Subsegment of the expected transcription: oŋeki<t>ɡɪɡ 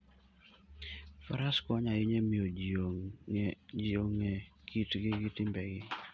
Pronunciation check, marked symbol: correct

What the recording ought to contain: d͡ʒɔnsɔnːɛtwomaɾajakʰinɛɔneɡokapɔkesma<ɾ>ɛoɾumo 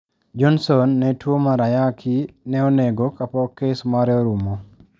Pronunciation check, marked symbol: correct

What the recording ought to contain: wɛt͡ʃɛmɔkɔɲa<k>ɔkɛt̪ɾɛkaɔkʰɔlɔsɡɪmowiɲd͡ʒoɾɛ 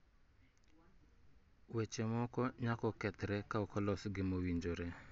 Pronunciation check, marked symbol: correct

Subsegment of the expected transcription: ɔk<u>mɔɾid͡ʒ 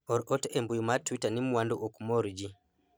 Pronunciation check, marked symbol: correct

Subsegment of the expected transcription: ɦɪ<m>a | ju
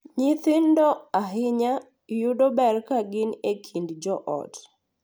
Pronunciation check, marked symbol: incorrect: ɲ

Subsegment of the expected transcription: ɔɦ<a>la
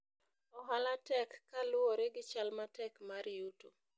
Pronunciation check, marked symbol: correct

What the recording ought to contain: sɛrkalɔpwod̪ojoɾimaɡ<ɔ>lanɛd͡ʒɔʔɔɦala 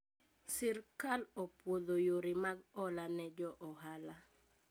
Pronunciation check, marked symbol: correct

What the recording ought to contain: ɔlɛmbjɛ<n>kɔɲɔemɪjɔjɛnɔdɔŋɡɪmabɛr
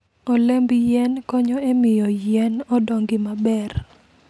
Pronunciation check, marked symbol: correct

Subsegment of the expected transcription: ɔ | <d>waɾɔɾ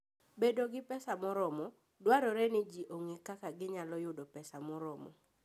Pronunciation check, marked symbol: correct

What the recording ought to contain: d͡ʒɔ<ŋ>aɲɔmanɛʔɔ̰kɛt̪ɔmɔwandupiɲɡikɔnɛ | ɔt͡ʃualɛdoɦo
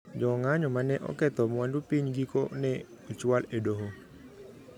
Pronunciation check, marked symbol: correct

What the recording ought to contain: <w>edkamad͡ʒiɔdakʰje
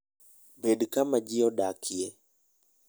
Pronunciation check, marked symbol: incorrect: b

